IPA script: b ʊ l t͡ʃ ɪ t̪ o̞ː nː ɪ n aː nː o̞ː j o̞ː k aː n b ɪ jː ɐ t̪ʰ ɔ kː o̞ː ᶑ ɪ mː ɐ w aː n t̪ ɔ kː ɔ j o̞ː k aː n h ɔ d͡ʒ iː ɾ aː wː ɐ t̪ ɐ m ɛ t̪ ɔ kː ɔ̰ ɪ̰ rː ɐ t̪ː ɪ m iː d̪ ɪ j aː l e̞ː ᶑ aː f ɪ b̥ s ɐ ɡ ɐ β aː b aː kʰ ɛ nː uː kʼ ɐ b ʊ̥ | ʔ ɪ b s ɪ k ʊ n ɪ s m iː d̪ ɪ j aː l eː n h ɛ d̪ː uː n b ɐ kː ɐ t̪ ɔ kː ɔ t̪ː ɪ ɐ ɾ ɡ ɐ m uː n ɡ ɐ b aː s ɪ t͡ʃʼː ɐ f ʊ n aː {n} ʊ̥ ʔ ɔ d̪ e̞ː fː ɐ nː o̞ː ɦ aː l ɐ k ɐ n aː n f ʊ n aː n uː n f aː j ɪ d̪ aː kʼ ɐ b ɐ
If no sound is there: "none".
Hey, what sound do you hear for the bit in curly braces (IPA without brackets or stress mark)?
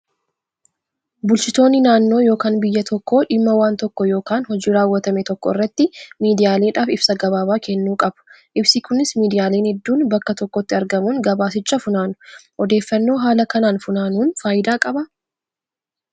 n